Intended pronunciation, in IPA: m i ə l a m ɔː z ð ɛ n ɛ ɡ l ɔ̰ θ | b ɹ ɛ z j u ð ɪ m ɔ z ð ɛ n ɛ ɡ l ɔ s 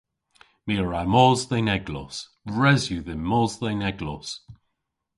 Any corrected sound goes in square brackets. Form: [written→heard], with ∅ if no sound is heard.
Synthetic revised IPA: m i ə [l→ɹ] a m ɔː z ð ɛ n ɛ ɡ l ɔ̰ [θ→s] | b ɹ ɛ z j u ð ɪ m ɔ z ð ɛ n ɛ ɡ l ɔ s